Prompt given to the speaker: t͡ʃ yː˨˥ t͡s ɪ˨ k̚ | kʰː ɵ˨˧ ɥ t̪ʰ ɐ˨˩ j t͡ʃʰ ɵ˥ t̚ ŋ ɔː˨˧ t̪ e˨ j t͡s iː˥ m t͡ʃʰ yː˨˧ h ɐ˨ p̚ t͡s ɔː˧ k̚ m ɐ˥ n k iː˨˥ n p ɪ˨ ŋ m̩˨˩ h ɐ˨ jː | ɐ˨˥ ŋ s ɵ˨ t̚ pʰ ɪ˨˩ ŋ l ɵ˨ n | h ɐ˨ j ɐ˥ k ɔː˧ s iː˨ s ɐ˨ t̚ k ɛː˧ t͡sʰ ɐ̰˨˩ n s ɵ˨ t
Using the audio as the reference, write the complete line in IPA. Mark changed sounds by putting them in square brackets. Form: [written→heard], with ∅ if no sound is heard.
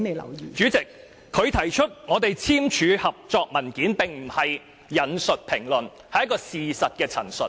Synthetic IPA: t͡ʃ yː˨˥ t͡s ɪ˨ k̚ | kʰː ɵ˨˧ ɥ t̪ʰ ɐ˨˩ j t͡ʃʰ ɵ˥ t̚ ŋ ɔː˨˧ t̪ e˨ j [t͡s→t͡sʰ] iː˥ m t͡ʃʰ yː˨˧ h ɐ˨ p̚ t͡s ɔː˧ k̚ m [ɐ˥→ɐ˨˩] n k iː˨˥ n p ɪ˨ ŋ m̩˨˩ h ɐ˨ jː | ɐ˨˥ [ŋ→n] s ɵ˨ t̚ pʰ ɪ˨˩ ŋ l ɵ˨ n | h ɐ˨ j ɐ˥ k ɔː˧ s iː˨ s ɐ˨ t̚ k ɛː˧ t͡sʰ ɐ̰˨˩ n s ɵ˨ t